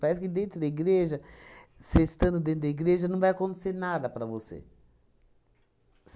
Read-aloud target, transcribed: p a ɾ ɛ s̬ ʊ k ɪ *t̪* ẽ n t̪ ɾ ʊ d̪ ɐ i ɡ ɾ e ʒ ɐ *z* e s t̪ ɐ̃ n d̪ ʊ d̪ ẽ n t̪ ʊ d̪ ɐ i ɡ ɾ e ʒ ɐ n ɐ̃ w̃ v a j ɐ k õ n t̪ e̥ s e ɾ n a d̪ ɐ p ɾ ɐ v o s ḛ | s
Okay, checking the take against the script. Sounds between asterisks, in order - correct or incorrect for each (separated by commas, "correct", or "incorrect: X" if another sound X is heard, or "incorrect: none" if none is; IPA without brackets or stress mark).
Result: incorrect: d̪, incorrect: s